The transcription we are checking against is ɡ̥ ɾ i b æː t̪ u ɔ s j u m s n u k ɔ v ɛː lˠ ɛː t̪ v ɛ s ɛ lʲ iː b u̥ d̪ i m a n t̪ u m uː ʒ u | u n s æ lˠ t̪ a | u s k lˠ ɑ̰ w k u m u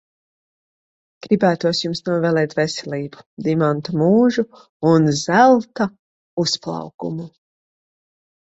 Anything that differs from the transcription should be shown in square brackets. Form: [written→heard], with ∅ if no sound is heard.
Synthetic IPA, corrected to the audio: ɡ̥ ɾ i b æː t̪ u ɔ s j u m s n u [k→∅] ɔ v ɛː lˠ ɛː t̪ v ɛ s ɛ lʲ iː b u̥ d̪ i m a n t̪ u m uː ʒ u | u n [s→z] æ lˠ t̪ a | u s [k→p] lˠ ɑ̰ w k u m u